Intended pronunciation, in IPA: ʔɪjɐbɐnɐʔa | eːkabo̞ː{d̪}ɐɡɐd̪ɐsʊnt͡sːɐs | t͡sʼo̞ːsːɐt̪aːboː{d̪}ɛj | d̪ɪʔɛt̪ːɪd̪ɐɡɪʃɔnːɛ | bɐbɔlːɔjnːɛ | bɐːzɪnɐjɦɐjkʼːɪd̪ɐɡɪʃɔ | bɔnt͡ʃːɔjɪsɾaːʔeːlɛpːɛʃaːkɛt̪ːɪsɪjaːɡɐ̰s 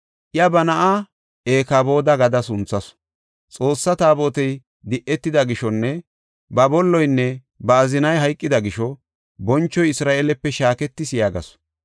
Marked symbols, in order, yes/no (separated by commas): yes, no